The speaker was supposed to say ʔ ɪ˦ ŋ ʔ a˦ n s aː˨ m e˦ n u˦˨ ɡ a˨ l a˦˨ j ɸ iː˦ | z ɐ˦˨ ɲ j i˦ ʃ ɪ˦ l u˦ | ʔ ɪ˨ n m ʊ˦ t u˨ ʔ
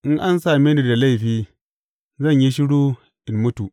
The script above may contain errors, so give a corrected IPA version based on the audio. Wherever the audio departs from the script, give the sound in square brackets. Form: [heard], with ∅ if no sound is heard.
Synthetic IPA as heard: ʔ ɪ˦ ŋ ʔ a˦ n s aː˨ m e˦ n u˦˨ [d] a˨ l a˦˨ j ɸ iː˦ | z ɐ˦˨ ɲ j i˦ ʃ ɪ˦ [ɽ] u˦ | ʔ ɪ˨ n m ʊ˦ t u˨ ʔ